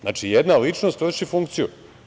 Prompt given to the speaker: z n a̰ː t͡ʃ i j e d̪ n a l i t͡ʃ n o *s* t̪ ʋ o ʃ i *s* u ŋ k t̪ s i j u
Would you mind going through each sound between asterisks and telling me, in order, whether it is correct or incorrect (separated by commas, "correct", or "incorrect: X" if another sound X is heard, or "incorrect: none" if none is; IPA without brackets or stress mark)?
correct, incorrect: f